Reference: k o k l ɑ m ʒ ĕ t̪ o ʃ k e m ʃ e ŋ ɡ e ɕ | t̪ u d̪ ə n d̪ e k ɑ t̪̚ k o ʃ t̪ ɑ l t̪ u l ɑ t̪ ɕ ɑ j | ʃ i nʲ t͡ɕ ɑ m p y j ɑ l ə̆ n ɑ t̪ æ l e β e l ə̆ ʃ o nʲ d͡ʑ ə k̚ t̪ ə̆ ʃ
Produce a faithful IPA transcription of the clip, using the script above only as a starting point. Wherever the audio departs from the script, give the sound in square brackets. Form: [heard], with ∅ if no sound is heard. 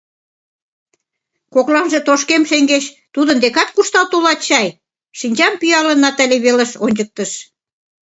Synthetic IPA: k o k l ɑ [n] ʒ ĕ t̪ o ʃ k e m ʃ e ŋ ɡ e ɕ | t̪ u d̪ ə n d̪ e k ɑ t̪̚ k [u] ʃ t̪ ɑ l t̪ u l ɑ t̪ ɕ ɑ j | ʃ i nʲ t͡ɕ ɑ m p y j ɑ l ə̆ n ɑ t̪ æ l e β e l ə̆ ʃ o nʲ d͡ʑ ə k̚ t̪ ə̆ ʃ